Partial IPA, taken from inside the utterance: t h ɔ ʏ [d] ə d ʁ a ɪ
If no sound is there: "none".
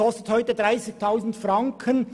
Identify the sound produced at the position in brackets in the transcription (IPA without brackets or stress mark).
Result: t